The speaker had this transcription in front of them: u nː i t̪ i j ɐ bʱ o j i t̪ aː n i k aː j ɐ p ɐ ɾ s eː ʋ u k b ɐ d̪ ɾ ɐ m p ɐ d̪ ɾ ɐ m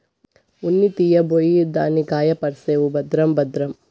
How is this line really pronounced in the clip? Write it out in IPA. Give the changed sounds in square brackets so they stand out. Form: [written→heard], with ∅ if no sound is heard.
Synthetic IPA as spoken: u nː i t̪ i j ɐ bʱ o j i [t̪→d̪] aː n i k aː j ɐ p ɐ ɾ s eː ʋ u [k→∅] b ɐ d̪ ɾ ɐ m [p→b] ɐ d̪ ɾ ɐ m